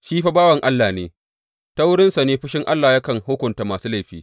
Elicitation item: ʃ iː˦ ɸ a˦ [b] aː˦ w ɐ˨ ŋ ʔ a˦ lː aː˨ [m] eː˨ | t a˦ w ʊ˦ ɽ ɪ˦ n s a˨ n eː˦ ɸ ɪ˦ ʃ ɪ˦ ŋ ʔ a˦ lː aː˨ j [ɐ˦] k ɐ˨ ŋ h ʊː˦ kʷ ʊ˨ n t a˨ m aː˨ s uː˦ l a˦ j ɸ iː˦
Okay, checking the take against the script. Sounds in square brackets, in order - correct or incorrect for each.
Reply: correct, incorrect: n, incorrect: a˦

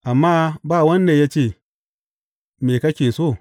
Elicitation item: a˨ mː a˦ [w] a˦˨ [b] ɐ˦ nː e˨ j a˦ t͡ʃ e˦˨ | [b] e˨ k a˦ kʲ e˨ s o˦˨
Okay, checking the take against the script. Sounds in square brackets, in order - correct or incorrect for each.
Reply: incorrect: b, incorrect: w, incorrect: m

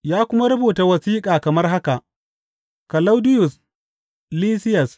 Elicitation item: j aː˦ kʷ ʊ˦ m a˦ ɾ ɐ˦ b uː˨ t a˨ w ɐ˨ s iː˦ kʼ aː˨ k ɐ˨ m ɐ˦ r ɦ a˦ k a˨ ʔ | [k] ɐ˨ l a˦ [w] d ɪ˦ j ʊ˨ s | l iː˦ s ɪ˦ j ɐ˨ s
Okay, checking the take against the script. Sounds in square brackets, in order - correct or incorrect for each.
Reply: correct, correct

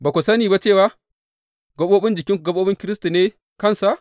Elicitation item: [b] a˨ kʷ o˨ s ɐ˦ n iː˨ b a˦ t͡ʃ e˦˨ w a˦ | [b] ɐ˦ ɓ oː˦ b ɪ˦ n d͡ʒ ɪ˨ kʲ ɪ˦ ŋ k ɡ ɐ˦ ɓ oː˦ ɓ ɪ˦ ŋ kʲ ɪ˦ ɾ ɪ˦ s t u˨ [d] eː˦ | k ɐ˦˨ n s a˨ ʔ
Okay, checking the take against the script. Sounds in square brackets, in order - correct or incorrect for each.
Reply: correct, incorrect: ɡ, incorrect: n

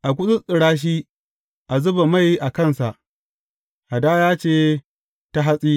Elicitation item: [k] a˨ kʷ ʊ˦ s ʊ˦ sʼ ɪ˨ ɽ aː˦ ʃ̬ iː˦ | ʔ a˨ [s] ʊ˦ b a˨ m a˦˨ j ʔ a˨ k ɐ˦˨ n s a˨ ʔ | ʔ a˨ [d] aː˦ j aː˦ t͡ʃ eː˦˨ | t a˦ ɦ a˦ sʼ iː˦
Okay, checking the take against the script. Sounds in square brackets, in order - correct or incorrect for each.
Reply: incorrect: ʔ, incorrect: z, correct

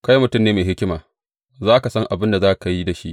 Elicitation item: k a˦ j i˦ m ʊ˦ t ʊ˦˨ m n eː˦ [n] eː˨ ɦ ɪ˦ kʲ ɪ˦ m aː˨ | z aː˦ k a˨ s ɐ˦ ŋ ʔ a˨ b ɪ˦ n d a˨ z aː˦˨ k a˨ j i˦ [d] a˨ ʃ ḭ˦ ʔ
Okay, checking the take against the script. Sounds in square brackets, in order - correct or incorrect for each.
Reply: incorrect: m, correct

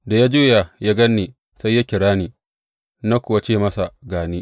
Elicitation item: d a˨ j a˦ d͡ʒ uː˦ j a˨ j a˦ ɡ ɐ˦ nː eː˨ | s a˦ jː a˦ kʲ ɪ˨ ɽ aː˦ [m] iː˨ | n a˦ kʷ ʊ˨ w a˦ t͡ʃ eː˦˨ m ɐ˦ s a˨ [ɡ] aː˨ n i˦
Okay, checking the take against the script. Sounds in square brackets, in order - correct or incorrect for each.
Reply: incorrect: n, correct

